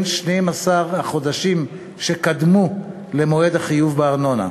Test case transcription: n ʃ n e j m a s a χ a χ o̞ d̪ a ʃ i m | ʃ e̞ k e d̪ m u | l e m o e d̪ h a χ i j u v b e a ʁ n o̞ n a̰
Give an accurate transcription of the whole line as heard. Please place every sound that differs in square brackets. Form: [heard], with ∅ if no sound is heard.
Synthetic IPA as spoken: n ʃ n e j m a s a [ʁ] a χ o̞ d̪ a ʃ i m | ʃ e̞ k [a] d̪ m u | l e m o e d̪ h a χ i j u v b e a ʁ n o̞ n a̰